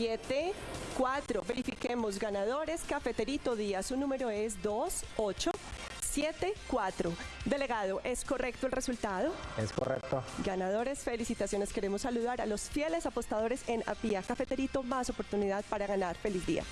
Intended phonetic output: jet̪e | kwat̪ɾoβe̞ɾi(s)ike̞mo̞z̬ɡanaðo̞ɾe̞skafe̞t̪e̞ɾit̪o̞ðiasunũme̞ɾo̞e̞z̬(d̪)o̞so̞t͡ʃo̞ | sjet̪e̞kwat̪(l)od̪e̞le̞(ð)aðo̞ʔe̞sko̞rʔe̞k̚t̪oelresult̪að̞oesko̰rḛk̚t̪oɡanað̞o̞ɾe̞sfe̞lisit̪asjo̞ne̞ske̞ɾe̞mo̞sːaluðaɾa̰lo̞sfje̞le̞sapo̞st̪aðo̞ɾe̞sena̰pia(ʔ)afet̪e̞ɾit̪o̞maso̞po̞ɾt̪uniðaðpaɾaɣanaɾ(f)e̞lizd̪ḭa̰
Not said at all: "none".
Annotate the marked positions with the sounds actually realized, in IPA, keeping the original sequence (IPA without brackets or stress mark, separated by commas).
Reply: f, d̪, ɾ, ɣ, k, f